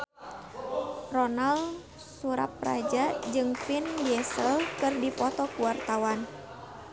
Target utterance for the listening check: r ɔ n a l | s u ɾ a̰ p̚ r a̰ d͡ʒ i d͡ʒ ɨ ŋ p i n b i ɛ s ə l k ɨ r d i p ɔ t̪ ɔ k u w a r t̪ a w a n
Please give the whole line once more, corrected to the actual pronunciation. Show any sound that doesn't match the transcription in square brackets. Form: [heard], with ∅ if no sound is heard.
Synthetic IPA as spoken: r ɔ n a l | s u ɾ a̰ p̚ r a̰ d͡ʒ [a] d͡ʒ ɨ ŋ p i n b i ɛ s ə l k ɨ r d i p ɔ t̪ ɔ k u w a r t̪ a w a n